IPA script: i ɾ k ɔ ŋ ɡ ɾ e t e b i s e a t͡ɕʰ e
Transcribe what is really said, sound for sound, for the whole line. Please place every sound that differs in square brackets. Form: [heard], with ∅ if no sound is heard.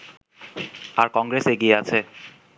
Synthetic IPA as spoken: [a] ɾ k ɔ ŋ ɡ ɾ e [s] e [ɡ] i [∅] e a t͡ɕʰ e